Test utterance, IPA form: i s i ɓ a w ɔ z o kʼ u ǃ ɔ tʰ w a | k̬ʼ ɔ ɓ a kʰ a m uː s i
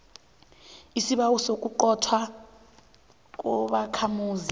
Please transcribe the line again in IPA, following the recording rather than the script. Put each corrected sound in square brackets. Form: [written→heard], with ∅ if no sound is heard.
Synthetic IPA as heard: i s i ɓ a w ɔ [z→s] o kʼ u ǃ ɔ tʰ w a | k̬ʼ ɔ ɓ a kʰ a m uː [s→z] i